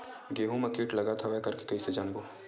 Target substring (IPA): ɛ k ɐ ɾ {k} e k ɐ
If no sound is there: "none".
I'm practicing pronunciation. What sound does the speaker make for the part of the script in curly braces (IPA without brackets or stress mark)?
k